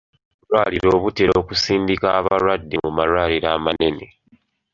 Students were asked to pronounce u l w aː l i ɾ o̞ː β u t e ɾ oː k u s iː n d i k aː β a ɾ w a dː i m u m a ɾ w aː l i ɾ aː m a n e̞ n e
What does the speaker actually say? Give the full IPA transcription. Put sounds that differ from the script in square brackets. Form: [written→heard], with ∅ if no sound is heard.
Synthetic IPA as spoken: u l w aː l i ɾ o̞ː β u t e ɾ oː k u s iː n d i k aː β a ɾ w a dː i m u m a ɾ w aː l i ɾ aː m a n e̞ n e